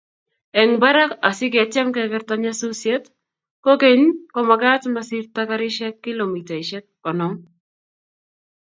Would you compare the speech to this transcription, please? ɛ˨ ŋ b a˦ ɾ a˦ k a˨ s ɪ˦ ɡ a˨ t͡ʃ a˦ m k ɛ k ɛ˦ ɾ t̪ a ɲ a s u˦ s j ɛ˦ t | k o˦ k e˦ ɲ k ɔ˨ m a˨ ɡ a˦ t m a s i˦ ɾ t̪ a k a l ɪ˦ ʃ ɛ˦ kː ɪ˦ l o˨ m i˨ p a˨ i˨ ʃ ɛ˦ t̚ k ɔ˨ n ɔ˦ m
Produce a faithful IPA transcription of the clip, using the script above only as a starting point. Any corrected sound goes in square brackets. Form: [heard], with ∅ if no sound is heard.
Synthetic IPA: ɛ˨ ŋ b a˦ ɾ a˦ k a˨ s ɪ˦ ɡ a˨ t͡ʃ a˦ m k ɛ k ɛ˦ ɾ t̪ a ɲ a s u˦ s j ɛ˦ t | k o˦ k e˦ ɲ k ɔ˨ m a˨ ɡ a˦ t m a s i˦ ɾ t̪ a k a [ɾ] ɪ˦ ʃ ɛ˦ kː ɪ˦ l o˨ m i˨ [t] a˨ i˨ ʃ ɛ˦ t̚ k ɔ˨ n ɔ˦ m